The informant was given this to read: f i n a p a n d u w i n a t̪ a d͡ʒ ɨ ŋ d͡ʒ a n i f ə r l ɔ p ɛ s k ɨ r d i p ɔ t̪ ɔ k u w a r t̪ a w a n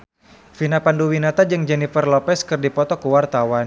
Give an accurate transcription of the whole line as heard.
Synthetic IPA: f i n a p a n d u w i n a t̪ a d͡ʒ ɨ ŋ d͡ʒ ɛ n i f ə r l ɔ p ɛ s k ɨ r d i p ɔ t̪ ɔ k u w a r t̪ a w a n

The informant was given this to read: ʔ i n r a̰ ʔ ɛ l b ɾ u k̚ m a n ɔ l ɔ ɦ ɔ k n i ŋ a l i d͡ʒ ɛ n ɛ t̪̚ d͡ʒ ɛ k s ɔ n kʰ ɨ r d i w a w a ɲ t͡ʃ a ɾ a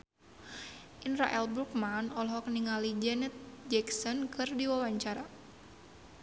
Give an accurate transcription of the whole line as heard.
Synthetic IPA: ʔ i n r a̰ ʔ ɛ l b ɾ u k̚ m a n ɔ l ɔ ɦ ɔ k n i ŋ a l i d͡ʒ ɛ n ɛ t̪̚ d͡ʒ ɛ k s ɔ n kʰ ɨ r d i w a w a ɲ t͡ʃ a ɾ a

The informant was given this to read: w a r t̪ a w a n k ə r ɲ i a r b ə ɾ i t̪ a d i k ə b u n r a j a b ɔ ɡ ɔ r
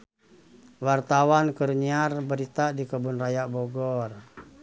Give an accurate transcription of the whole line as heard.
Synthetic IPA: w a r t̪ a w a n k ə r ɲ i a r b ə ɾ i t̪ a d i k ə b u n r a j a b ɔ ɡ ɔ r

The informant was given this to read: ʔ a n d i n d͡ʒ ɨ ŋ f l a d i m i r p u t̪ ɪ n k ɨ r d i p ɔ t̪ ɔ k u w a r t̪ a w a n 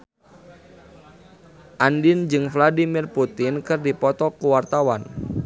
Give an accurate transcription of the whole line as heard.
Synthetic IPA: ʔ a n d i n d͡ʒ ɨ ŋ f l a d i m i r p u t̪ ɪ n k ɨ r d i p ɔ t̪ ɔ k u w a r t̪ a w a n

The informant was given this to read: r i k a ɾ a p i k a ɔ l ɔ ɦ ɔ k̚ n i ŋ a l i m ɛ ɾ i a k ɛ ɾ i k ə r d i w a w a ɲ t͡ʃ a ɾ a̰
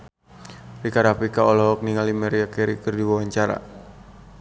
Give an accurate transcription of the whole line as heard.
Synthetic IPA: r i k a ɾ a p i k a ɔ l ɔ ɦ ɔ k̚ n i ŋ a l i m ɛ ɾ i a k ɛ ɾ i k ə r d i w a w a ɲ t͡ʃ a ɾ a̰

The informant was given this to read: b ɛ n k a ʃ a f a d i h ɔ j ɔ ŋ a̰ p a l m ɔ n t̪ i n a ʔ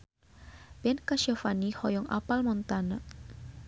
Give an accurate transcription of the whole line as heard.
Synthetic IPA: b ɛ n k a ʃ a f a n i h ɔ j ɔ ŋ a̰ p a l m ɔ n t̪ a n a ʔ

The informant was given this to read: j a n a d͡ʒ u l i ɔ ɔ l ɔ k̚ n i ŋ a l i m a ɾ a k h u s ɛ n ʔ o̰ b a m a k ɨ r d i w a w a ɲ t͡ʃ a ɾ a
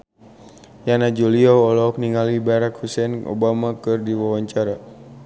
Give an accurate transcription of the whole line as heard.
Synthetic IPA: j a n a d͡ʒ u l i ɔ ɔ l ɔ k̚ n i ŋ a l i b a ɾ a k h u s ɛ n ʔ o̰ b a m a k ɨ r d i w a w a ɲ t͡ʃ a ɾ a

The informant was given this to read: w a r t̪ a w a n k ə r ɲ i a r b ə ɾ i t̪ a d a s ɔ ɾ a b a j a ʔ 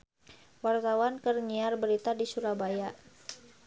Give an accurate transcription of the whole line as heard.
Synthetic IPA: w a r t̪ a w a n k ə r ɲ i a r b ə ɾ i t̪ a d i s u ɾ a b a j a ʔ

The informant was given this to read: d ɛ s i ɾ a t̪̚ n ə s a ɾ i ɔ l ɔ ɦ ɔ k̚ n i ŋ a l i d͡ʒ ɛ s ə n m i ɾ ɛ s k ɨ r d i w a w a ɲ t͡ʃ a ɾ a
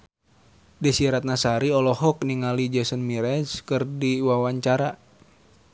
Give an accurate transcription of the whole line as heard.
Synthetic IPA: d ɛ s i ɾ a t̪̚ n a s a ɾ i ɔ l ɔ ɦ ɔ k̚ n i ŋ a l i d͡ʒ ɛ s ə n m i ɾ ɛ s k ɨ r d i w a w a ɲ t͡ʃ a ɾ a

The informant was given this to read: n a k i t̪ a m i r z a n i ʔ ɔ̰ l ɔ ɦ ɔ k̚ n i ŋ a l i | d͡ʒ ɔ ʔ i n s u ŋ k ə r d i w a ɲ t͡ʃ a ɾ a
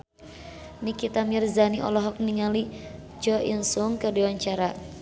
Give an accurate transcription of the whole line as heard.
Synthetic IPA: n i k i t̪ a m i r z a n i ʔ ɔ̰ l ɔ ɦ ɔ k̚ n i ŋ a l i | d͡ʒ ɔ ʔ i n s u ŋ k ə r d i w a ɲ t͡ʃ a ɾ a

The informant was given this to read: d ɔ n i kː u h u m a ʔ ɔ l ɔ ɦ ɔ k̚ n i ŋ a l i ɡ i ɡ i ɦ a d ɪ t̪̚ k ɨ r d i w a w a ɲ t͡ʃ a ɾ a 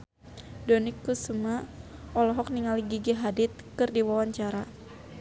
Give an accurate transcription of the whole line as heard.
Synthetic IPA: d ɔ n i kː u s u m a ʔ ɔ l ɔ ɦ ɔ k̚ n i ŋ a l i ɡ i ɡ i ɦ a d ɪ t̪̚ k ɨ r d i w a w a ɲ t͡ʃ a ɾ a

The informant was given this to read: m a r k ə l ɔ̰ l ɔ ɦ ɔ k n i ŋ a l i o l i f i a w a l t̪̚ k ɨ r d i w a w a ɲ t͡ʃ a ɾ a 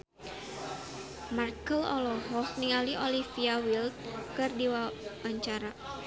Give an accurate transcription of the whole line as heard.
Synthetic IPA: m a r k ə l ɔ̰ l ɔ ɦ ɔ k n i ŋ a l i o l i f i a w i l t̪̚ k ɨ r d i w a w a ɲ t͡ʃ a ɾ a

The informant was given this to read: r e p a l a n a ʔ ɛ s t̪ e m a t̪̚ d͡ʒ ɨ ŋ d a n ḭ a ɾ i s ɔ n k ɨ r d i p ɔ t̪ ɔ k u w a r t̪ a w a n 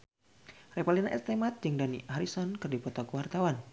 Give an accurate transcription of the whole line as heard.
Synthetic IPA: r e p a l i n a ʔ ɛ s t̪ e m a t̪̚ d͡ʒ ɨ ŋ d a n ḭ a ɾ i s ɔ n k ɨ r d i p ɔ t̪ ɔ k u w a r t̪ a w a n

